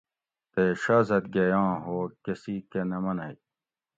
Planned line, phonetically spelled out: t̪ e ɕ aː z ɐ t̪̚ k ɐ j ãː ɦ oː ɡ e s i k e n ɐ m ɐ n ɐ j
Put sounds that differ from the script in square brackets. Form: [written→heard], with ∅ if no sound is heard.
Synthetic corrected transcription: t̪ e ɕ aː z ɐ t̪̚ [k→ɡ] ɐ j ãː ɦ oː [ɡ→k] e s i k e n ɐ m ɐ n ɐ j